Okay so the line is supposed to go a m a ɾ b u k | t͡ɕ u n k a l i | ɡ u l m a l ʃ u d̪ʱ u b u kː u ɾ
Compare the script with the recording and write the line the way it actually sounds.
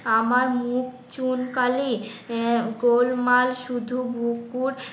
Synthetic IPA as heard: a m a ɾ m u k | t͡ɕ u n k a l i | ɡ o l m a l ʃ u d̪ʱ u b u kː u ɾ